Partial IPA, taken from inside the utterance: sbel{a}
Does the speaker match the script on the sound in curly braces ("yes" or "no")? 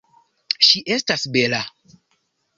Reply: yes